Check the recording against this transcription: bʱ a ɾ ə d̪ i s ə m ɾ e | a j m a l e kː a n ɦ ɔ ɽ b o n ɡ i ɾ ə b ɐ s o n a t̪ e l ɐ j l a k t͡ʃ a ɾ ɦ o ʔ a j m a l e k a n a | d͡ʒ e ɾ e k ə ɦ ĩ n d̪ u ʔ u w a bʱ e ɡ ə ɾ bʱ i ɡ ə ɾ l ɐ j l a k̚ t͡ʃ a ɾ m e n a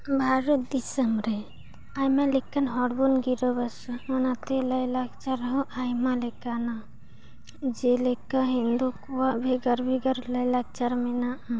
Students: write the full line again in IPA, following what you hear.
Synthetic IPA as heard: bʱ a ɾ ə d̪ i s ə m ɾ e | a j m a l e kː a n ɦ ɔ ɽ b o n ɡ i ɾ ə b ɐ s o n a t̪ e l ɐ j l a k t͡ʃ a ɾ ɦ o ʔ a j m a l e k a n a | d͡ʒ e l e k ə ɦ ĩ n d̪ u k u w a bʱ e ɡ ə ɾ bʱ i ɡ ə ɾ l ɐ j l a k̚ t͡ʃ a ɾ m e n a